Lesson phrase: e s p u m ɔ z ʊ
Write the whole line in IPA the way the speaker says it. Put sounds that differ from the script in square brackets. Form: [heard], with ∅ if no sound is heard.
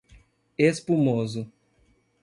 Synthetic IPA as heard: e s p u m [o] z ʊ